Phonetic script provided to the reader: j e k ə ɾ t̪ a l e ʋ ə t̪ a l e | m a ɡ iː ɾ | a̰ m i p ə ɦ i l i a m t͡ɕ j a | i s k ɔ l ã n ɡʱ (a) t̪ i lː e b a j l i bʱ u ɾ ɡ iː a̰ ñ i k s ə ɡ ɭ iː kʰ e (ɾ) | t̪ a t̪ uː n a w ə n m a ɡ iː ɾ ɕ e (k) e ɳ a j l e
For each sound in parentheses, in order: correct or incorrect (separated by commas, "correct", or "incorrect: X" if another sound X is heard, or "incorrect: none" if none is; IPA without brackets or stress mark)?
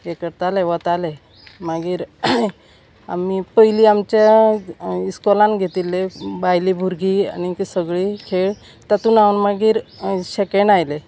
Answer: incorrect: e, incorrect: ɭ, correct